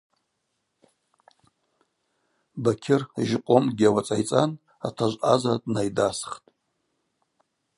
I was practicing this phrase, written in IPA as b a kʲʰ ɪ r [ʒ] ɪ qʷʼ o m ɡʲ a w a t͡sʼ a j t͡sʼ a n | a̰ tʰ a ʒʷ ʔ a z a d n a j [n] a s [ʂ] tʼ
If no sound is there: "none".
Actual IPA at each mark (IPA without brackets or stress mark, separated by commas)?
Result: ʒ, d, χ